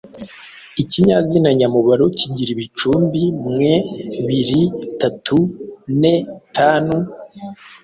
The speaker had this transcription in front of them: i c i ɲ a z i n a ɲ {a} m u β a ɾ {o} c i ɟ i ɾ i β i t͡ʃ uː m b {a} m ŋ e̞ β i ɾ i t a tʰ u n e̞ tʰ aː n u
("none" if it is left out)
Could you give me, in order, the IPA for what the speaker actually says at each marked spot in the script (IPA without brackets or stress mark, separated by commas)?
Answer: a, o, i